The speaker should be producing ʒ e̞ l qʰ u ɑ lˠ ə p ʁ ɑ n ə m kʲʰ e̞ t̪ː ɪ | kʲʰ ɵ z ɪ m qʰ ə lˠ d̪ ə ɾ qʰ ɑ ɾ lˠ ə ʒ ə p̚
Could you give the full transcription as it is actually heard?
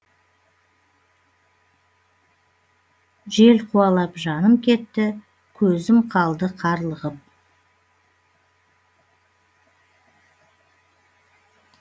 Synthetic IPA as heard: ʒ e̞ l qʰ u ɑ lˠ ɑ p ʒ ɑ n ə m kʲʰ e̞ t̪ː ɪ | kʲʰ ɵ z ɪ m qʰ ɑ lˠ d̪ ə qʰ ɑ ɾ lˠ ə ʁ ə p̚